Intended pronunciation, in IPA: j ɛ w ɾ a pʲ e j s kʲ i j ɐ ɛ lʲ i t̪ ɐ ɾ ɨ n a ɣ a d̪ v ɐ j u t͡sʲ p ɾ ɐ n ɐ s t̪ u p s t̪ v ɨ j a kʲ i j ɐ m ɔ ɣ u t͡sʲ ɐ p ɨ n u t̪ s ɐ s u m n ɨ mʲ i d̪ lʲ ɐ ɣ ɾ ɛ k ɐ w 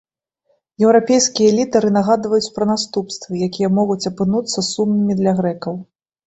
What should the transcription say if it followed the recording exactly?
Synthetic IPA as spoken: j ɛ w ɾ a pʲ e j s kʲ i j ɐ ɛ lʲ i t̪ ɐ ɾ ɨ n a ɣ a d̪ v ɐ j u t͡sʲ p ɾ ɐ n a s t̪ u p s t̪ v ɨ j a kʲ i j ɐ m ɔ ɣ u t͡sʲ ɐ p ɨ n u t̪ sː ɐ s u m n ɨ mʲ i d̪ lʲ ɐ ɣ ɾ ɛ k ɐ w